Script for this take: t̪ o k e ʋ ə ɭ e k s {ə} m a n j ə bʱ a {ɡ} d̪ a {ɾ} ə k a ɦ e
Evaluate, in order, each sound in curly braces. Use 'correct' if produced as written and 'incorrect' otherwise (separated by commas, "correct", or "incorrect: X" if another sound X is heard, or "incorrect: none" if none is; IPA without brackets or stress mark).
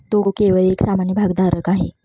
incorrect: a, correct, correct